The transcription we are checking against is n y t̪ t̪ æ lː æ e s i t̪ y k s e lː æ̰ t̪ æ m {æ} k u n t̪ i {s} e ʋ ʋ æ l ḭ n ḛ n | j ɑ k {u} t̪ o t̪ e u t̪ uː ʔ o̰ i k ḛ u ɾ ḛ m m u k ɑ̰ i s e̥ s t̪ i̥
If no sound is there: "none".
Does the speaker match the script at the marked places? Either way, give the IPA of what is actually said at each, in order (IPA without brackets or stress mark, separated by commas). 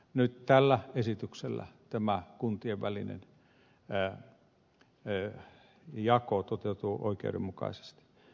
æ, none, o